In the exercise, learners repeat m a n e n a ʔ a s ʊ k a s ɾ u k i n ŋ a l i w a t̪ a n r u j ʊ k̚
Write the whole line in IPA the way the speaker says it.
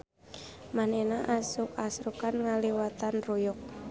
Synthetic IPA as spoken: m a n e n a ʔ a s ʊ k a s ɾ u k a n ŋ a l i w a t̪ a n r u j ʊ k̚